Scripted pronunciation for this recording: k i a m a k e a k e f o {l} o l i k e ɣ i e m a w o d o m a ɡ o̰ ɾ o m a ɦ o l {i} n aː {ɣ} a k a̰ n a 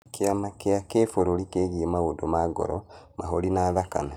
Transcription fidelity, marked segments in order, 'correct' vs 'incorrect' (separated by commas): incorrect, correct, incorrect